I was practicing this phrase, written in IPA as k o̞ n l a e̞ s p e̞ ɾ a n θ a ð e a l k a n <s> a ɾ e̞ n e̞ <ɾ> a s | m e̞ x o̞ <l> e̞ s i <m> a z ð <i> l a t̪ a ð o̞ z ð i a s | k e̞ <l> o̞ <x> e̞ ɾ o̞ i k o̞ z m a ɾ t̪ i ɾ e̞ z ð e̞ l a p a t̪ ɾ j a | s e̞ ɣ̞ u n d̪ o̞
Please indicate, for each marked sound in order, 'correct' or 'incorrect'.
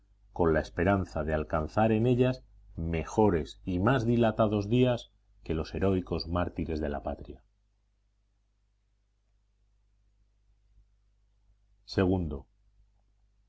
incorrect, incorrect, incorrect, correct, correct, correct, incorrect

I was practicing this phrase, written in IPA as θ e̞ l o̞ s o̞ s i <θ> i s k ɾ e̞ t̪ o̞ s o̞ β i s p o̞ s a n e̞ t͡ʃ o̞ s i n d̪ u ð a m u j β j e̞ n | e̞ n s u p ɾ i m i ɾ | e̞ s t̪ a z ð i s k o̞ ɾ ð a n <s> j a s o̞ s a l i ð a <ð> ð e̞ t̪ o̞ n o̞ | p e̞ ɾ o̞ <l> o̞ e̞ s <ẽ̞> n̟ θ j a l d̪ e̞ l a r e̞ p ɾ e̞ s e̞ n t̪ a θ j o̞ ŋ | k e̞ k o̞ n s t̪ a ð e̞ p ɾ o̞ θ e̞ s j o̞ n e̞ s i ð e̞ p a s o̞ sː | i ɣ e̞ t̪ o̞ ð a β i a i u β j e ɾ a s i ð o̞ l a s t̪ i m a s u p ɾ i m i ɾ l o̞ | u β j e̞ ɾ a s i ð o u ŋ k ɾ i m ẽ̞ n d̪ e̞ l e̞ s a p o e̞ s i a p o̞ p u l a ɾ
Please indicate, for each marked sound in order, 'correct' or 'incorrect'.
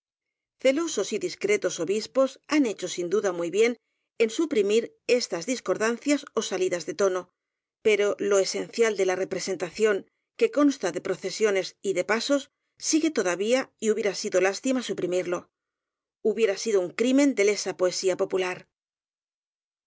incorrect, incorrect, incorrect, correct, incorrect

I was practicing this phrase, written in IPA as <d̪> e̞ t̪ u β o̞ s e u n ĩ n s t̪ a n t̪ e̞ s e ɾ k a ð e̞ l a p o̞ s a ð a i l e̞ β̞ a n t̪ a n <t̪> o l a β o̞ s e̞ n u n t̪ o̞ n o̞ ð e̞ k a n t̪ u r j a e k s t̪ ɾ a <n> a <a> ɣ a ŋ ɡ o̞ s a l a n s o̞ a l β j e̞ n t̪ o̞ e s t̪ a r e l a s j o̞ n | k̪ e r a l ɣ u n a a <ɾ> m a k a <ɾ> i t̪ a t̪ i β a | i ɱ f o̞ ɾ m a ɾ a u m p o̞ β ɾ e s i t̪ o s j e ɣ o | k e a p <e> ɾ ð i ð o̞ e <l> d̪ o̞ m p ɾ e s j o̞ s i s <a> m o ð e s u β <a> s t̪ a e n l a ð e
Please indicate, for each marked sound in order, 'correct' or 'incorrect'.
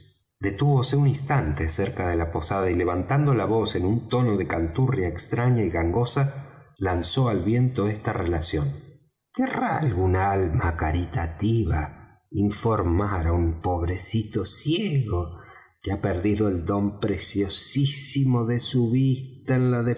correct, incorrect, incorrect, incorrect, incorrect, correct, correct, correct, incorrect, incorrect

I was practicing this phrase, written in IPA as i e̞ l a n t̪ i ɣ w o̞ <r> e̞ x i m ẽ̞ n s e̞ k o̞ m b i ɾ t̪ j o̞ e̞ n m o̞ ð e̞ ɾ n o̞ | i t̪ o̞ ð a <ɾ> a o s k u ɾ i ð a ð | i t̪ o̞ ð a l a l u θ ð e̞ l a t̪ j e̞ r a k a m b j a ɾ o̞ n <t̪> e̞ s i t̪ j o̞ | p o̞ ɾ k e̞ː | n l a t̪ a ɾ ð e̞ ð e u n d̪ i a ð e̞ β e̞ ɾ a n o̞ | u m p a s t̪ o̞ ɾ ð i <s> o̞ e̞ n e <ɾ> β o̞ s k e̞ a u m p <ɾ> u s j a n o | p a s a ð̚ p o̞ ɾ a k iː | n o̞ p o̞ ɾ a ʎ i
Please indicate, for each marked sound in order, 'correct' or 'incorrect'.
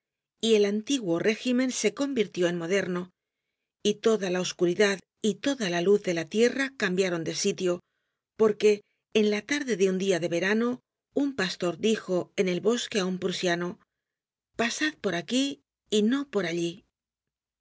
correct, incorrect, incorrect, incorrect, incorrect, correct

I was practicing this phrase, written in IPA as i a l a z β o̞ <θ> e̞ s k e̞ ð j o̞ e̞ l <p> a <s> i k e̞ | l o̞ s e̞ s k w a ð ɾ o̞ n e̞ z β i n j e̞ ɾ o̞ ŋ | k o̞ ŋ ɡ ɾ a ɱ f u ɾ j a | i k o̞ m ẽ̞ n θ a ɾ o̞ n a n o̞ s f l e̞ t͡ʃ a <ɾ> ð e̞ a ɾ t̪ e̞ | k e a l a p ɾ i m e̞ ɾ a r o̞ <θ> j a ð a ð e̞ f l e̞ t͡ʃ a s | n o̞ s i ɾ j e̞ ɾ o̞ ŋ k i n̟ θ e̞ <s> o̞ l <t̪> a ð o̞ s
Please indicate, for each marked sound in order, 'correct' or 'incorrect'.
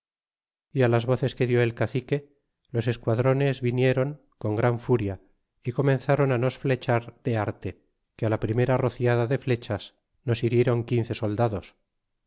correct, incorrect, incorrect, correct, correct, correct, incorrect

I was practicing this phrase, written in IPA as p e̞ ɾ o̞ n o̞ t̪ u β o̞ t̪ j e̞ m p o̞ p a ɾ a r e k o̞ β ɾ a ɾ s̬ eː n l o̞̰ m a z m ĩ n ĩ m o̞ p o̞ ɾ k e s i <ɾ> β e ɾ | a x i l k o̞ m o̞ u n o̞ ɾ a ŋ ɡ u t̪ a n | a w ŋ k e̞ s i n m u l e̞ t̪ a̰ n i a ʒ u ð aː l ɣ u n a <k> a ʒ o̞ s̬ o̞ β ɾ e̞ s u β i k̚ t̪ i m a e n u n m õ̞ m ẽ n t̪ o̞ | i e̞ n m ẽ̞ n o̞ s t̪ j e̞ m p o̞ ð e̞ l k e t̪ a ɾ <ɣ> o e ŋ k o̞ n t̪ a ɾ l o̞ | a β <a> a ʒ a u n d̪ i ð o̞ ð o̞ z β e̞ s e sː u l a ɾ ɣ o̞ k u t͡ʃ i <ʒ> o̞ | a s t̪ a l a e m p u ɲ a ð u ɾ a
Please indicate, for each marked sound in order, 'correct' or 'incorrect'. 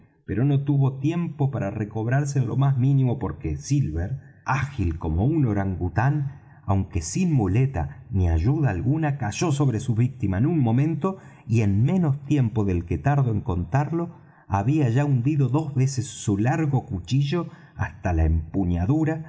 incorrect, correct, incorrect, incorrect, correct

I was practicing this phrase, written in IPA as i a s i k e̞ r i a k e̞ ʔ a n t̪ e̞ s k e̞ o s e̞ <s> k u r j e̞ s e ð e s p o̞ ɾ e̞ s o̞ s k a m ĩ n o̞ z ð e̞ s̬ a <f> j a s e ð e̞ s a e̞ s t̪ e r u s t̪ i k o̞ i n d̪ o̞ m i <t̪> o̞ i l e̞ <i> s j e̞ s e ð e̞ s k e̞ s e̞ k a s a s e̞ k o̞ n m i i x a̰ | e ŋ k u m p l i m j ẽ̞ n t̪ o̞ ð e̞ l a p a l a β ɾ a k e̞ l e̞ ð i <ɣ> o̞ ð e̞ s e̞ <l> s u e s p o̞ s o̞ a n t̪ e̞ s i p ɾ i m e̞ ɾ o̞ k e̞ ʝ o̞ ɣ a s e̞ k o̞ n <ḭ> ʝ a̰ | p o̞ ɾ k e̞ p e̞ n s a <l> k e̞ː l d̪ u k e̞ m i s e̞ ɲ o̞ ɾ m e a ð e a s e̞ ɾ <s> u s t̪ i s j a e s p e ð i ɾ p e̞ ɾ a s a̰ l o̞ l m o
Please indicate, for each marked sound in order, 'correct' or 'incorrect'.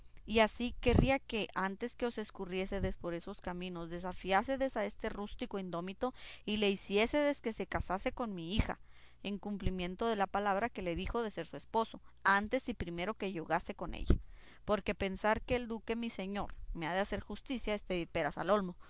correct, correct, correct, correct, incorrect, incorrect, incorrect, incorrect, incorrect

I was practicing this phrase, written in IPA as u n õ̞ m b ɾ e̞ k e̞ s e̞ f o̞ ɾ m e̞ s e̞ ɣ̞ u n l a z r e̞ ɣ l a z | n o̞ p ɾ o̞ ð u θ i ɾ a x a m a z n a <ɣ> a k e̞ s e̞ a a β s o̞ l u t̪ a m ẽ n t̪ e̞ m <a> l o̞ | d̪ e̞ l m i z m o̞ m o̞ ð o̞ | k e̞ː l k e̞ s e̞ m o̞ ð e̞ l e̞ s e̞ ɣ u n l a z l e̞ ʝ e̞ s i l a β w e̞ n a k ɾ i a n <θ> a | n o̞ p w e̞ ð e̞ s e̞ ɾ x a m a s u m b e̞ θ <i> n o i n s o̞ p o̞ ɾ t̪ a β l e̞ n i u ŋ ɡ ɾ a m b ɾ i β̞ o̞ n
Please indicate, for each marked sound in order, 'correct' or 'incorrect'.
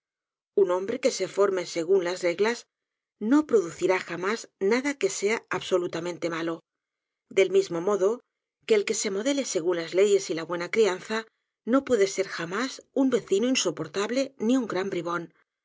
incorrect, correct, correct, correct

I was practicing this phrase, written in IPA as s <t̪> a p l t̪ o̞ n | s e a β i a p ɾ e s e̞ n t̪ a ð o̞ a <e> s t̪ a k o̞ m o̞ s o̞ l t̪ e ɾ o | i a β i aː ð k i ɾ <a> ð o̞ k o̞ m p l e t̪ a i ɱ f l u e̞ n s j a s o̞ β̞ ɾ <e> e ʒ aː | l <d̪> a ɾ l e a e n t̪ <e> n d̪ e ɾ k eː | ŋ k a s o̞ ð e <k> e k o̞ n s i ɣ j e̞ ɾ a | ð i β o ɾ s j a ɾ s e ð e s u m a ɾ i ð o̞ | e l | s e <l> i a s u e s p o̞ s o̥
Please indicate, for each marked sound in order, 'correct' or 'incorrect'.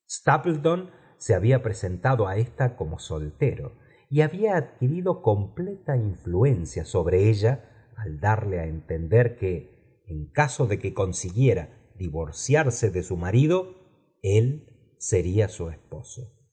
correct, correct, incorrect, correct, correct, correct, correct, incorrect

